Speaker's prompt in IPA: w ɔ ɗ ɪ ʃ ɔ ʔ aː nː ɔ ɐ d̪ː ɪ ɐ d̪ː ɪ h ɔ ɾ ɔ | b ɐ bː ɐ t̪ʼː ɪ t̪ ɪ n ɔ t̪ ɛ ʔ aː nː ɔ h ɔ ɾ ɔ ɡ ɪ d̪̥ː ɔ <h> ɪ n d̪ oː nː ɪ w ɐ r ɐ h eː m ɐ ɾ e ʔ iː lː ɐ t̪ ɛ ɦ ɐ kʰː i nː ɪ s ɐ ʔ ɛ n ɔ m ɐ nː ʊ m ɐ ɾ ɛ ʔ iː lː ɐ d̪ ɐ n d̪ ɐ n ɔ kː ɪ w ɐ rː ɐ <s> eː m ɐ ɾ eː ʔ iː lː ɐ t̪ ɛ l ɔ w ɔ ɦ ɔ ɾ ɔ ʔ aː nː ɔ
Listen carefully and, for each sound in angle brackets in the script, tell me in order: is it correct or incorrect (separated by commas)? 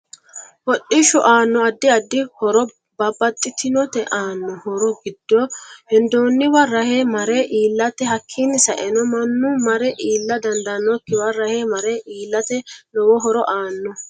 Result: correct, incorrect